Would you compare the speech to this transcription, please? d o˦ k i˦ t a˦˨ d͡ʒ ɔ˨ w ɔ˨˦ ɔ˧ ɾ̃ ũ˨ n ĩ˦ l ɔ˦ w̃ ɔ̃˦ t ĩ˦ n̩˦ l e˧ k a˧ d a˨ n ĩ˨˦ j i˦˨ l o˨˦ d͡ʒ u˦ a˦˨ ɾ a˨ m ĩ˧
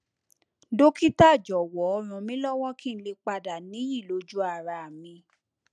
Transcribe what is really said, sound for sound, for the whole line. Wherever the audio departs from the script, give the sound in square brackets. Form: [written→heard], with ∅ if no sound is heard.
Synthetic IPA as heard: d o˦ k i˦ t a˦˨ d͡ʒ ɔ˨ w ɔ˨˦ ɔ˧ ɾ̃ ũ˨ [n→m] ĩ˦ l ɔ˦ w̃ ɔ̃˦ [t→k] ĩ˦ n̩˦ l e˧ [k→k͡p] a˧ d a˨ n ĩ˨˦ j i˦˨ l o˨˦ d͡ʒ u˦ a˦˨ ɾ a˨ m ĩ˧

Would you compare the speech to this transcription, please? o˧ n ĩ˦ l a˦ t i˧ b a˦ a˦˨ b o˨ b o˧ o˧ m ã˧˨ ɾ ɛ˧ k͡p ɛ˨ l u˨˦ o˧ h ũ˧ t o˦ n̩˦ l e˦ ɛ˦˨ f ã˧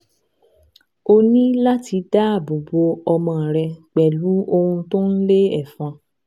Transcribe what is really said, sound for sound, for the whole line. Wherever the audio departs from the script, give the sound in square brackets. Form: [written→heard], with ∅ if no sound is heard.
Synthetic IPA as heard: o˧ n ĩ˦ l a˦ t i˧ [b→d] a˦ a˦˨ b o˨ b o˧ [o˧→ɔ˧] m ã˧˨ ɾ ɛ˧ k͡p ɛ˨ l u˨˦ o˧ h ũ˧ t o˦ n̩˦ l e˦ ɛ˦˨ f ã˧

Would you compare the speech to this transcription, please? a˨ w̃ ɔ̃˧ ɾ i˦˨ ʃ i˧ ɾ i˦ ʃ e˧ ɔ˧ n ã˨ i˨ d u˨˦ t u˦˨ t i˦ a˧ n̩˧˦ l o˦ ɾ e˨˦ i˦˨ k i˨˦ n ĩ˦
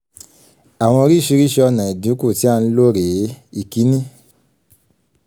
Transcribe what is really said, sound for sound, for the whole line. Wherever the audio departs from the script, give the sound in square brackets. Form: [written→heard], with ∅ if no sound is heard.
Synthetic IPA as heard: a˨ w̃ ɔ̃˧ ɾ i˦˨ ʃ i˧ ɾ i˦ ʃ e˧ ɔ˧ n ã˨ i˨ d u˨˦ [t→k] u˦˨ t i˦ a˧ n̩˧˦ l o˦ ɾ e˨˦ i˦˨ k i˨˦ n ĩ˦

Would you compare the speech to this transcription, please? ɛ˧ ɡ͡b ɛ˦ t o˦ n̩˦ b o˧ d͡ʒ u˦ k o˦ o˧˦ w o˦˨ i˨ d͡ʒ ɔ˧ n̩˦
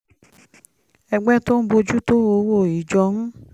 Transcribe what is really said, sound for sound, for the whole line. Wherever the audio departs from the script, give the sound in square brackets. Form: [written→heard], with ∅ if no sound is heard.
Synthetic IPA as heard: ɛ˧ ɡ͡b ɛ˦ t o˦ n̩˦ b o˧ d͡ʒ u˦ [k→t] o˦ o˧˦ w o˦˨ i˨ d͡ʒ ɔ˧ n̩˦

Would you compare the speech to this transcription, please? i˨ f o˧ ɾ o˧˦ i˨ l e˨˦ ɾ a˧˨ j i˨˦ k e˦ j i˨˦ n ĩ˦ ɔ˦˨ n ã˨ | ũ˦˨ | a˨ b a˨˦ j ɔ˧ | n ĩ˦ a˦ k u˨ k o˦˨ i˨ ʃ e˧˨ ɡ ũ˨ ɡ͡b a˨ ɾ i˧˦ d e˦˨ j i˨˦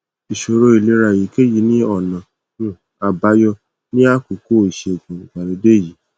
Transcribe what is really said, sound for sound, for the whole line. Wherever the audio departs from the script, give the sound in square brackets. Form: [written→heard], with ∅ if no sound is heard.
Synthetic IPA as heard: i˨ [f→ʃ] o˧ ɾ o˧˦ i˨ l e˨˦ ɾ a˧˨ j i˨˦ k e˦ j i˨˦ n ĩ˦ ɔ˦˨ n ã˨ | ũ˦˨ | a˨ b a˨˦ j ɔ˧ | n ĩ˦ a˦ k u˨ k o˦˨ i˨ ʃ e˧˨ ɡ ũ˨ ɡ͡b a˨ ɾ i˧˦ d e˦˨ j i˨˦

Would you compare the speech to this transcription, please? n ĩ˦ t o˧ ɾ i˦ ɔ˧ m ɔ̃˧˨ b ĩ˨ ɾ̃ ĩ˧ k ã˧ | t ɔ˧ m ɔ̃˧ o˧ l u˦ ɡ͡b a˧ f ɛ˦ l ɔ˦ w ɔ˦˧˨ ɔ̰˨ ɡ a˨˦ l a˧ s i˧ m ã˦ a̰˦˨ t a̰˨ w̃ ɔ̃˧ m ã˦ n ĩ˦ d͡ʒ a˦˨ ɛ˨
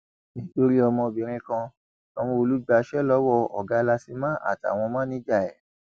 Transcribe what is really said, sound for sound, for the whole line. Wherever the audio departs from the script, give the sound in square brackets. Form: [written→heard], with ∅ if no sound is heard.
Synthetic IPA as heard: n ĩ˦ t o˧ ɾ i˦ ɔ˧ m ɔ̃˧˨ b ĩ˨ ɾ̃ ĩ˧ k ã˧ | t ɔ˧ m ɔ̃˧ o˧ l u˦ ɡ͡b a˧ [f→ʃ] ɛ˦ l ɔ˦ w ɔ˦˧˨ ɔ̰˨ ɡ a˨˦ l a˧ s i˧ m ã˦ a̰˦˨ t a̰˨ w̃ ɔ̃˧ m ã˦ n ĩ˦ d͡ʒ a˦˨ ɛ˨

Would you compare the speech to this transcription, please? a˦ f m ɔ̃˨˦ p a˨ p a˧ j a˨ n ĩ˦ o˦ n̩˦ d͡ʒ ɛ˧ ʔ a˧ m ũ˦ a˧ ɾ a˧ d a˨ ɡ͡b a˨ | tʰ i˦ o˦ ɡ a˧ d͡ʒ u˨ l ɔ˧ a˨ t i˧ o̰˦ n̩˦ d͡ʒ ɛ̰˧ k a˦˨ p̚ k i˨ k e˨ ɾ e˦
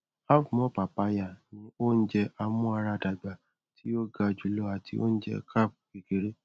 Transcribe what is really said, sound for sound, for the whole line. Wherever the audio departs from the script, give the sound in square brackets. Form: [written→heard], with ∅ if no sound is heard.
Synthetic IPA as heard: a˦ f m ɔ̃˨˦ p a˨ p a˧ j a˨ n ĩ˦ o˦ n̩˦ d͡ʒ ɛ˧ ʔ a˧ m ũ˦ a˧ ɾ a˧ d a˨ ɡ͡b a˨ | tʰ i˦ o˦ ɡ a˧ d͡ʒ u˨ l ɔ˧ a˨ t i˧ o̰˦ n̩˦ d͡ʒ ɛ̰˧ k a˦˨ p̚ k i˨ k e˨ ɾ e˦

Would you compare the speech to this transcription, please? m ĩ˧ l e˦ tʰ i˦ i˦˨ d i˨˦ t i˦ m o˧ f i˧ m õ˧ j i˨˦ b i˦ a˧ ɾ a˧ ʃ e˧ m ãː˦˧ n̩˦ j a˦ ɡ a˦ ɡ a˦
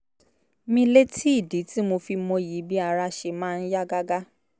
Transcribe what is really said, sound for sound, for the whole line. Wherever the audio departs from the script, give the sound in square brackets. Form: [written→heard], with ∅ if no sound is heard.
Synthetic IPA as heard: m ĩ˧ l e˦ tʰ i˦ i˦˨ d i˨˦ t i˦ m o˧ f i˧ m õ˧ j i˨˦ b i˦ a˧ ɾ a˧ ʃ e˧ m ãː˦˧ n̩˦ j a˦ ɡ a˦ ɡ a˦

